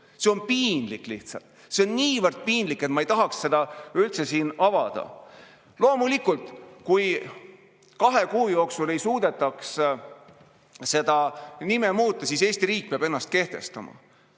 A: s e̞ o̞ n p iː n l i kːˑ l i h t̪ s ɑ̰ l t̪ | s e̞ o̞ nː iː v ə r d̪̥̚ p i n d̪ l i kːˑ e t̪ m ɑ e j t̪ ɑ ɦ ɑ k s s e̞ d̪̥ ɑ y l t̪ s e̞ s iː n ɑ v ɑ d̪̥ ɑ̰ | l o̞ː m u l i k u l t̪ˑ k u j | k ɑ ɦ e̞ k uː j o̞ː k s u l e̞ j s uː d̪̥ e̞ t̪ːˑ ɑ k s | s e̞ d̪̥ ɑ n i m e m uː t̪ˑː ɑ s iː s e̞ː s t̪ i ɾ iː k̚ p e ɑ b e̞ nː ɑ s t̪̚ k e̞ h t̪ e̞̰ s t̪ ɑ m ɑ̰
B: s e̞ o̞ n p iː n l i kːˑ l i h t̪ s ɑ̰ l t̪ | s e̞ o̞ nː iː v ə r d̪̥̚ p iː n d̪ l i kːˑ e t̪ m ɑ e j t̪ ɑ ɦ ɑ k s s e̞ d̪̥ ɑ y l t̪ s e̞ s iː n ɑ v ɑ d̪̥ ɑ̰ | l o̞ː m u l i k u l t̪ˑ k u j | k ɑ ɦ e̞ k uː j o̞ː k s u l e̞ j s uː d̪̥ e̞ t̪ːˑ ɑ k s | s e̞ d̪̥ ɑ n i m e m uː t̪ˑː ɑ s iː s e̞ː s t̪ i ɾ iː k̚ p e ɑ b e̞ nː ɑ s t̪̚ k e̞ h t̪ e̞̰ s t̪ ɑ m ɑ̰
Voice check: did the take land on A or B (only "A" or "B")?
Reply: B